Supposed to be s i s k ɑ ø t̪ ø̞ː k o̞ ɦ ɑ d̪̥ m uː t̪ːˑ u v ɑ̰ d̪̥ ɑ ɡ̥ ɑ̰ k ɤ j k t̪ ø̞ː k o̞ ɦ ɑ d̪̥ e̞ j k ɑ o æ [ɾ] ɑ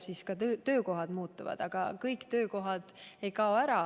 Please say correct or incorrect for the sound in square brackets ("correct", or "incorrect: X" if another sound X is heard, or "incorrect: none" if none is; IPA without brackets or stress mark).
correct